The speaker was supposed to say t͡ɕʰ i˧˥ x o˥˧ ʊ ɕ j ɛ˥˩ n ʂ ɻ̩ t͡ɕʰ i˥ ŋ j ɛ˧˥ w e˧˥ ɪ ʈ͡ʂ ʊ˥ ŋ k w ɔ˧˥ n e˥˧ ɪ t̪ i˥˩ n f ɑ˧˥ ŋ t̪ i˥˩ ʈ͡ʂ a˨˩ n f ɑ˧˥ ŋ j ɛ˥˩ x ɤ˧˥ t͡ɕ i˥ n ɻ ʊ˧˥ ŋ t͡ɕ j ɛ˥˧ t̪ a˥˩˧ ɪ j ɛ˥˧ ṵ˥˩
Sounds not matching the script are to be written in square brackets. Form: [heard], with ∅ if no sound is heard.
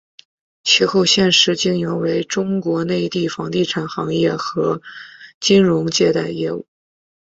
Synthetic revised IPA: t͡ɕʰ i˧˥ x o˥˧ ʊ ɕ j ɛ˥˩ n ʂ ɻ̩ [t͡ɕ] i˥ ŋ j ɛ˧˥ w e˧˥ ɪ ʈ͡ʂ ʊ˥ ŋ k w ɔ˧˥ n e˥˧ ɪ t̪ i˥˩ [∅] f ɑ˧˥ ŋ t̪ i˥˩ [ʈ͡ʂʰ] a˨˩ n [x] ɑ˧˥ ŋ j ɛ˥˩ x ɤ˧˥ t͡ɕ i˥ n ɻ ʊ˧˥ ŋ t͡ɕ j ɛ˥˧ t̪ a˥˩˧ ɪ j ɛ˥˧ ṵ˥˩